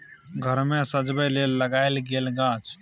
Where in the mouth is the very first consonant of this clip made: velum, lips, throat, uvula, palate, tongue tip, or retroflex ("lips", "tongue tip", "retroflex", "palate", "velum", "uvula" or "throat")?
velum